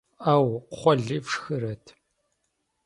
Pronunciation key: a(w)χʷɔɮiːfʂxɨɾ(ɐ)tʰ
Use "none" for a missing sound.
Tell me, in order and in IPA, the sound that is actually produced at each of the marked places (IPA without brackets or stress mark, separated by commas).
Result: w, ɐ